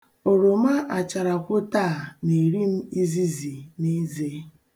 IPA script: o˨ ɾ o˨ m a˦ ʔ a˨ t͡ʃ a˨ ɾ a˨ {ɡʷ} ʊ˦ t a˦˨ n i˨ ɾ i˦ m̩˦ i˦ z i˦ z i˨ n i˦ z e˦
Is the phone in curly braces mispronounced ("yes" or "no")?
yes